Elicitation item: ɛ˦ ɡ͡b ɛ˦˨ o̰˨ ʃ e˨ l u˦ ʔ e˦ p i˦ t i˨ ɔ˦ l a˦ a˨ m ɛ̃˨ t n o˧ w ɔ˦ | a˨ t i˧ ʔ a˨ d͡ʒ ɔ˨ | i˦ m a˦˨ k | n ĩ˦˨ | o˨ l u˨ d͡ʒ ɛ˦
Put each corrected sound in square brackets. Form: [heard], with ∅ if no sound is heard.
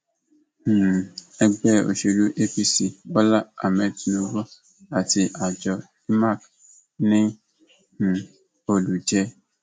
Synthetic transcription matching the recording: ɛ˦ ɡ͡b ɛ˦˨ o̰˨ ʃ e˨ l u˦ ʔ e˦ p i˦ [s] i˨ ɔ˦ l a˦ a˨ m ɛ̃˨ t n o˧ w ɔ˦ | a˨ t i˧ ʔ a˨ d͡ʒ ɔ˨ | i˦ m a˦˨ k | n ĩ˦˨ | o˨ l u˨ d͡ʒ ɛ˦